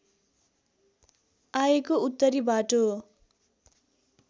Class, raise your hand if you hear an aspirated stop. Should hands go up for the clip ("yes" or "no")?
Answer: no